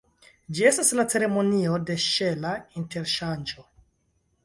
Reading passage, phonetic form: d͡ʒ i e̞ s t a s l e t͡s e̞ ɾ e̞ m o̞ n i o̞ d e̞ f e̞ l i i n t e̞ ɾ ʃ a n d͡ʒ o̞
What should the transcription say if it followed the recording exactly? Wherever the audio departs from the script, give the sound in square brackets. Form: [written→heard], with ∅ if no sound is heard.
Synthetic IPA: d͡ʒ i e̞ s t a s l [e→a] t͡s e̞ ɾ e̞ m o̞ n i o̞ d e̞ [f→ʃ] e̞ l [i→a] i n t e̞ ɾ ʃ a n d͡ʒ o̞